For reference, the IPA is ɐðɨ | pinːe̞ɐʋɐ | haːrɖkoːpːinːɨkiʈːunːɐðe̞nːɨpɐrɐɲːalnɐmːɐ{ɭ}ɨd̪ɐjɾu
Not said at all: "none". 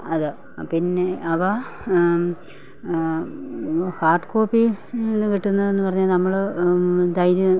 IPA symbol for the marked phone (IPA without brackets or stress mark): ɭ